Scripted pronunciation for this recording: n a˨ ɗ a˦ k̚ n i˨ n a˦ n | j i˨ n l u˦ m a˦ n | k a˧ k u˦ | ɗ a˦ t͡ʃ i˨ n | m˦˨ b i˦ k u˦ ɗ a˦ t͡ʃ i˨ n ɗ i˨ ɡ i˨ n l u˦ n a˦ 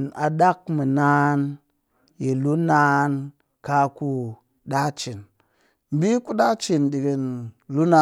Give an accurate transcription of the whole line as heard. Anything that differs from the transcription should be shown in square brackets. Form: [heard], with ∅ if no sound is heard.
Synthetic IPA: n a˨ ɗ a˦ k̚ [m] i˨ n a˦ n | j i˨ [∅] l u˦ [n] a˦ n | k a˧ k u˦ | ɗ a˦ t͡ʃ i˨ n | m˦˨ b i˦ k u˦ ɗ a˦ t͡ʃ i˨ n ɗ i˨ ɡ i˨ n l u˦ n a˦